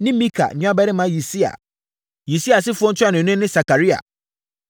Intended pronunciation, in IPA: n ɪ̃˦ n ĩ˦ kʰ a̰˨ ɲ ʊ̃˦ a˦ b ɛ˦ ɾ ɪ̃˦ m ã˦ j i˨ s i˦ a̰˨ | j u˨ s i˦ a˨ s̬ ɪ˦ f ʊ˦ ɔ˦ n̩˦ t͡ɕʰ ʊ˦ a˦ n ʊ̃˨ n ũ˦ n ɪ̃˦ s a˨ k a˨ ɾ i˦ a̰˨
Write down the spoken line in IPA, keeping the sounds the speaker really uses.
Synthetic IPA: n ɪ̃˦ m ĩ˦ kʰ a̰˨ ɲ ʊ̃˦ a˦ b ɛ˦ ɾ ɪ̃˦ m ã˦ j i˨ s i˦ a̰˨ | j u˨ s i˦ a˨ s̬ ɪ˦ f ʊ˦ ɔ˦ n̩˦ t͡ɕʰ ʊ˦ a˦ n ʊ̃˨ n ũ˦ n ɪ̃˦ s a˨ k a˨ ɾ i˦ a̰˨